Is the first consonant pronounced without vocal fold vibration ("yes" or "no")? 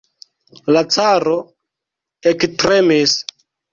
no